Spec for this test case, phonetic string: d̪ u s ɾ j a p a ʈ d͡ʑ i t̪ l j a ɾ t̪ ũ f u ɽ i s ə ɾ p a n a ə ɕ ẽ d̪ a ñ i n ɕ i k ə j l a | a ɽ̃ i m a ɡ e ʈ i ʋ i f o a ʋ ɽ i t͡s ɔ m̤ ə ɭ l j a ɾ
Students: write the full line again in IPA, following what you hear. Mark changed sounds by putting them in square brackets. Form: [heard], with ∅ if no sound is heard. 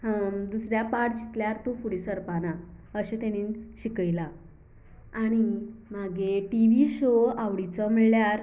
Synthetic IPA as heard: d̪ u s ɾ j a p a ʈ d͡ʑ i t̪ l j a ɾ t̪ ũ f u ɽ i s ə ɾ p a n a ə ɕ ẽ [t̪] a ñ i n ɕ i k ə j l a | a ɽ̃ i m a ɡ e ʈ i ʋ i [ɕ] o a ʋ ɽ i t͡s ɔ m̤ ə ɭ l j a ɾ

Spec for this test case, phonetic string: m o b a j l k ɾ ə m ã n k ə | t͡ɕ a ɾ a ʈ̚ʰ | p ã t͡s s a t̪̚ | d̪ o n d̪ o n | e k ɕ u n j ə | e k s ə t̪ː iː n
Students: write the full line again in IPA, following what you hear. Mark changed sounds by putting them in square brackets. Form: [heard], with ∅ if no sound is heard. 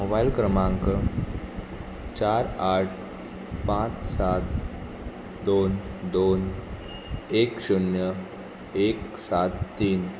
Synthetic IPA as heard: m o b a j l k ɾ ə m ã [ŋ] k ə | t͡ɕ a ɾ a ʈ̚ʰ | p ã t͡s s a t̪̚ | d̪ o n d̪ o n | e k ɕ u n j ə | e k s [a] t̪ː iː n

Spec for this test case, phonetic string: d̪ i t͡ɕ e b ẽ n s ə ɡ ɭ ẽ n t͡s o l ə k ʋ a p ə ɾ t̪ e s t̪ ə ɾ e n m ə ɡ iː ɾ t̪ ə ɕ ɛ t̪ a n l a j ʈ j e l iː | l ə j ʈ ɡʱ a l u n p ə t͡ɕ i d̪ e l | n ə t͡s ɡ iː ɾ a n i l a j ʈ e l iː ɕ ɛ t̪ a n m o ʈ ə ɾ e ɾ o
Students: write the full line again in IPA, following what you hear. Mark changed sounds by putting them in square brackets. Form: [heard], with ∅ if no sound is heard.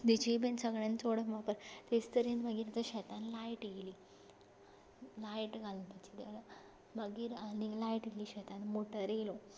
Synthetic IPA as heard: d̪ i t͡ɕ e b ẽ n s ə ɡ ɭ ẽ n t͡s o [ɽ] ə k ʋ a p ə ɾ t̪ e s t̪ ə ɾ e n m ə ɡ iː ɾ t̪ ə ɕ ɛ t̪ a n l a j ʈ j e l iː | l [a] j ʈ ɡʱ a l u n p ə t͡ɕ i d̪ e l | [m] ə [∅] ɡ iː ɾ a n i l a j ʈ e l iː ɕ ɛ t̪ a n m o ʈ ə ɾ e [l] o

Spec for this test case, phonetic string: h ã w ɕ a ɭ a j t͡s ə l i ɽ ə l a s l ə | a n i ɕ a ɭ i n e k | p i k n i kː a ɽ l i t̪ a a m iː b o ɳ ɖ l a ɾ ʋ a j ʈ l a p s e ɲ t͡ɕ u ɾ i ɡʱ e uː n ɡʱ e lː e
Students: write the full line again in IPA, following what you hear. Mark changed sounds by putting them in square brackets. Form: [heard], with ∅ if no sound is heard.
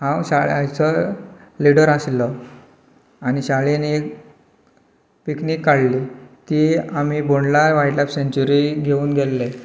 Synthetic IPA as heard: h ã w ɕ a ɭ a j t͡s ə l i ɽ ə [ɾ] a s l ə | a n i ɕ a ɭ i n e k | p i k n i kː a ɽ l i t̪ [i] a m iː b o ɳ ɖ l a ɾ ʋ a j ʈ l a p s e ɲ t͡ɕ u ɾ i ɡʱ e uː n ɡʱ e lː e

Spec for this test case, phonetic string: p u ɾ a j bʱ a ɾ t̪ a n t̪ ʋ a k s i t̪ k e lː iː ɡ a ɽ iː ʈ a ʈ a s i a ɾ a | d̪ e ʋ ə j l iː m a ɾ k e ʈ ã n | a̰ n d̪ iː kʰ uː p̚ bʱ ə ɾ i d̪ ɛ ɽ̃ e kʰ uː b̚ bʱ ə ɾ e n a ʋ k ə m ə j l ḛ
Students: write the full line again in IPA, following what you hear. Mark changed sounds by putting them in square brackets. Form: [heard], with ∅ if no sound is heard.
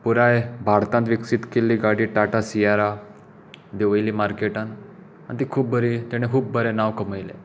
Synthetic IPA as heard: p u ɾ a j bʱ a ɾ t̪ a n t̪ ʋ [i] k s i t̪ k e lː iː ɡ a ɽ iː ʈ a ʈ a s i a ɾ a | d̪ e ʋ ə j l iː m a ɾ k e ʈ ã n | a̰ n [t̪] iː kʰ uː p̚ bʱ ə ɾ i [t̪] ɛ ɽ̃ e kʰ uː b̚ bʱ ə ɾ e n a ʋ k ə m ə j l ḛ

